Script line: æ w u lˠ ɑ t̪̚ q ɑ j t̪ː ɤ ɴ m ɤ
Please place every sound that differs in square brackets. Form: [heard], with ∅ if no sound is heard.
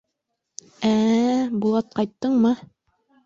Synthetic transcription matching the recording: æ [b] u lˠ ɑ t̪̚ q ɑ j t̪ː ɤ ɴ m ɤ